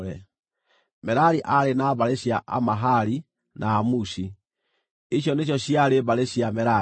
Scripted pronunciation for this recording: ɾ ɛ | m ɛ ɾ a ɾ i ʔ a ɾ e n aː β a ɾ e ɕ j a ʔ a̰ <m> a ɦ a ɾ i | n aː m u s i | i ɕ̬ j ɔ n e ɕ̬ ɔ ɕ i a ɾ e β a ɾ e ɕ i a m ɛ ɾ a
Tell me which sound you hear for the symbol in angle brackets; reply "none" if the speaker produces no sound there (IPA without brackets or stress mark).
m